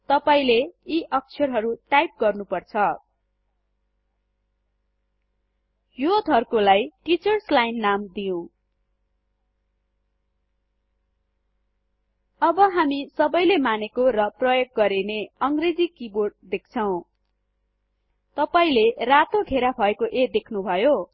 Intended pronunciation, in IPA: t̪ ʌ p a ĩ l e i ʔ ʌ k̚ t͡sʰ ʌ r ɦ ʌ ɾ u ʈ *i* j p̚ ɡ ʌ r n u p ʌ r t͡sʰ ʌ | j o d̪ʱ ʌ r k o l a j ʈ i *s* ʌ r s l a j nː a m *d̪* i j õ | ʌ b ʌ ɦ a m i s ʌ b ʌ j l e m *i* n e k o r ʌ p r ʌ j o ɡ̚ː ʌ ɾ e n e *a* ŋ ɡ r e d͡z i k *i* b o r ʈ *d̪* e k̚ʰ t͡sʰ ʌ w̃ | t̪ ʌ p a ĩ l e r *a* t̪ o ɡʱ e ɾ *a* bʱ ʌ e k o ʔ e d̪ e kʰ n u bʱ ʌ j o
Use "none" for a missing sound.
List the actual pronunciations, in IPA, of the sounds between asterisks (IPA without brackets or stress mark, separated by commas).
a, t͡s, d̪, a, ʌ, i, d̪, a, a